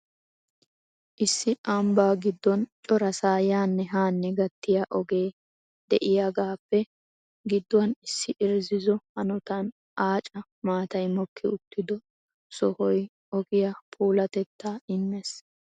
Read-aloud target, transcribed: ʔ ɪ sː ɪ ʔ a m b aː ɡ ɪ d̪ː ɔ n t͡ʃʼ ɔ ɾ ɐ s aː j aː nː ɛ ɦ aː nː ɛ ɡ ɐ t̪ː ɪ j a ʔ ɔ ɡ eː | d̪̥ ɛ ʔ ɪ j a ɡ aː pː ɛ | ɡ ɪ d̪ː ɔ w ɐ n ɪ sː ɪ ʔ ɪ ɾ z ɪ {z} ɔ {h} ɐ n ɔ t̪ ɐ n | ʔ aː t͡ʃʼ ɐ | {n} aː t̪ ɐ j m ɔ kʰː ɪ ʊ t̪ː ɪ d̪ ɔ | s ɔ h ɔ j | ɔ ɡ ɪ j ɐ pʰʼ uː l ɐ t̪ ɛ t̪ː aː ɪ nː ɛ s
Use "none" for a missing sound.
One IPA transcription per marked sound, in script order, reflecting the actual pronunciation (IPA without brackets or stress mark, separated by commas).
z, h, m